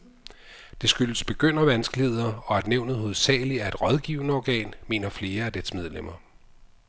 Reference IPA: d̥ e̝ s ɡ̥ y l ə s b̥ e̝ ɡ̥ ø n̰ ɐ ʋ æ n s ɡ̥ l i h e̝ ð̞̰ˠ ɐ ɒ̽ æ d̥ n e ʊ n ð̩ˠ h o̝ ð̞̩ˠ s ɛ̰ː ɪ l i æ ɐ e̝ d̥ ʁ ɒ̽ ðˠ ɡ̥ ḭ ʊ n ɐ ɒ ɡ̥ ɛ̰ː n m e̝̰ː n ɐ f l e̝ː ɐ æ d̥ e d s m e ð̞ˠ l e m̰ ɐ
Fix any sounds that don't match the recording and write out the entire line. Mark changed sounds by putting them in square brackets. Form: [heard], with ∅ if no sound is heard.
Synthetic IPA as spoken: d̥ e̝ s ɡ̥ y l ə s b̥ e̝ ɡ̥ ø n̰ ɐ ʋ æ n s ɡ̥ l i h e̝ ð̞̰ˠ ɐ ɒ̽ æ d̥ n e ʊ n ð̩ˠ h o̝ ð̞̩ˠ s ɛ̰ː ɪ l i æ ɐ e̝ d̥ ʁ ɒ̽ ðˠ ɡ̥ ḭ ʊ n [ə] ɒ ɡ̥ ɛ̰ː n m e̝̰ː n ɐ f l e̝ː ɐ æ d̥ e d s m e ð̞ˠ l e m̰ ɐ